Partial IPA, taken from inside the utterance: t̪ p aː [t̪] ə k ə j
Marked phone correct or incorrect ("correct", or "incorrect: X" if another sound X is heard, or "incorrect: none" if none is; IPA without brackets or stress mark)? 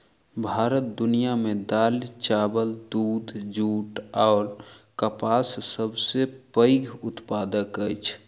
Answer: incorrect: d̪